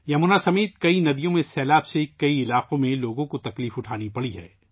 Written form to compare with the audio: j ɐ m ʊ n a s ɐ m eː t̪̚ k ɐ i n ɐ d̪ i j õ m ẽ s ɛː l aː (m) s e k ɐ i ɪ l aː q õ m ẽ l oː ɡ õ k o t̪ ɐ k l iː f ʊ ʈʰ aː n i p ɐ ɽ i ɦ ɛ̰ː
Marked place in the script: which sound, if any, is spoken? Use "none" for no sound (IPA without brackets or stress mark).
b